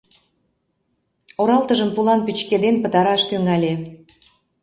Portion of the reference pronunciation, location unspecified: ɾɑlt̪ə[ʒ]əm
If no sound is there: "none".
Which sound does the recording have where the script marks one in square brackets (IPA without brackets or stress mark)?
ʒ